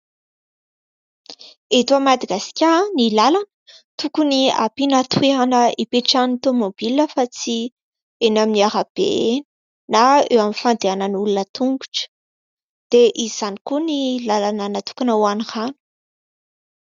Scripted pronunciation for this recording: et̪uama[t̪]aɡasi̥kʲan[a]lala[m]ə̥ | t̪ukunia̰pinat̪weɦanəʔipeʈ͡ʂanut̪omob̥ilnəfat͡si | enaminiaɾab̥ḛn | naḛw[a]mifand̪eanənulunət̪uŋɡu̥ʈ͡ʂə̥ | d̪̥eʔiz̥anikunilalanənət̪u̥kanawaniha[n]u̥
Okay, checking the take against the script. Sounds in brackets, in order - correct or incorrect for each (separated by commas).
incorrect, incorrect, incorrect, correct, correct